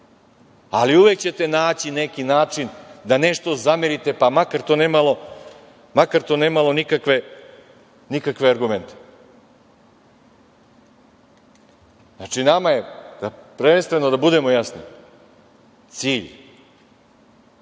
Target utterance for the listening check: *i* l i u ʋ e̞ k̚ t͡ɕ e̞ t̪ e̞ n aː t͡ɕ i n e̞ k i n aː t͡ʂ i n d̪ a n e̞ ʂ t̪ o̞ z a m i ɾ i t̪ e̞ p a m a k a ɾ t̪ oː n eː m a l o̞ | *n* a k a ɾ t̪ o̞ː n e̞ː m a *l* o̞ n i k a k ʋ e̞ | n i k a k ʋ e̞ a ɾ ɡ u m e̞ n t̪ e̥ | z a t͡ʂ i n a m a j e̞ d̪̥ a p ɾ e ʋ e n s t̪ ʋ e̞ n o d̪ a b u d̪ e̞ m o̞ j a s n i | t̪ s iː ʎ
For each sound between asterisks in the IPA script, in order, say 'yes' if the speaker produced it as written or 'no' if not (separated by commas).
no, no, yes